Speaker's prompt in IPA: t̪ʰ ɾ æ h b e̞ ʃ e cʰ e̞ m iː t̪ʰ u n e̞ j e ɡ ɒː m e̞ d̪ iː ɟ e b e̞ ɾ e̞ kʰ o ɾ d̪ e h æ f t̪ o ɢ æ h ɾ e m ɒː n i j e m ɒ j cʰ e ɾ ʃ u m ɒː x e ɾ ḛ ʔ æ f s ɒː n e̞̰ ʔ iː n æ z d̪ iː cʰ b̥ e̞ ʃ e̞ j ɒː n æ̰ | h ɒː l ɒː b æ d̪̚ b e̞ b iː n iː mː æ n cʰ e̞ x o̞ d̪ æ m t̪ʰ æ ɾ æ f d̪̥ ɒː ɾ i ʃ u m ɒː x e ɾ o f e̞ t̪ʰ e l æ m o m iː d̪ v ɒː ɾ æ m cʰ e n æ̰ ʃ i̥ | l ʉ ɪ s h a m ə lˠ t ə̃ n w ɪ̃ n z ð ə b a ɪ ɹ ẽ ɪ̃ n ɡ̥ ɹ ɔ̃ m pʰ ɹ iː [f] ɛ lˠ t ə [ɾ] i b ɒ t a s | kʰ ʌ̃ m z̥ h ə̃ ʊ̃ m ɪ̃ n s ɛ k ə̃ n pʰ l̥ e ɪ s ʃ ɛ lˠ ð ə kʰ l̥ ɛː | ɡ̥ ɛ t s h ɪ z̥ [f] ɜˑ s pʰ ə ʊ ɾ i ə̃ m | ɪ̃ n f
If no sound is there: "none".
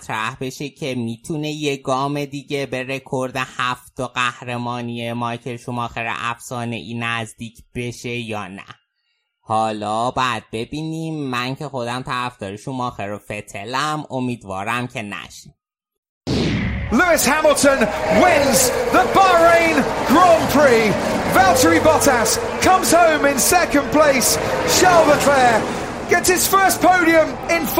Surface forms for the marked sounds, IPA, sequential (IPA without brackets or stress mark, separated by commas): v, ɹ, f